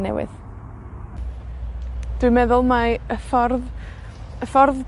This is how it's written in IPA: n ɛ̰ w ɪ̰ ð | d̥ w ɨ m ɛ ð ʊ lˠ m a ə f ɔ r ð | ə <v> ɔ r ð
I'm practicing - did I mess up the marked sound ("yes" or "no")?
yes